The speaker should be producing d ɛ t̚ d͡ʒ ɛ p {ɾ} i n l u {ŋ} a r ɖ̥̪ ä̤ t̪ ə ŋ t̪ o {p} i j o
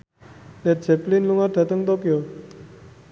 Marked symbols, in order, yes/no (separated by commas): no, yes, no